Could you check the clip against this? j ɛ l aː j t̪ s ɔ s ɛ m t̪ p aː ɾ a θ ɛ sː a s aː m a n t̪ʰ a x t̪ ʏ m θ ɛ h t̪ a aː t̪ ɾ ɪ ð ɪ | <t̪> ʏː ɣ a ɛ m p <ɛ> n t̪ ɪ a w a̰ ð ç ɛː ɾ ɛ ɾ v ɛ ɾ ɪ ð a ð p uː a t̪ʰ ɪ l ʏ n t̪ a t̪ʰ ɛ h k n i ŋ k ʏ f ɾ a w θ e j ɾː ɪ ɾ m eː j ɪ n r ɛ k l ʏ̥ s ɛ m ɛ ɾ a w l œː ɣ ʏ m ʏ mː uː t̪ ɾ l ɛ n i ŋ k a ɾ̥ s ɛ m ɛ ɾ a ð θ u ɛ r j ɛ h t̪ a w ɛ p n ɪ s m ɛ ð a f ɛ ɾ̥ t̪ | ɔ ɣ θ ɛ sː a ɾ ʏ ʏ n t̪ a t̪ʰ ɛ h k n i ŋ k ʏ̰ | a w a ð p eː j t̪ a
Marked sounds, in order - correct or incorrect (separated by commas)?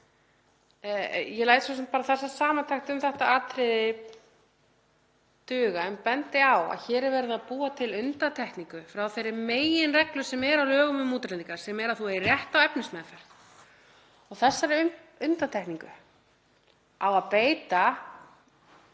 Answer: correct, correct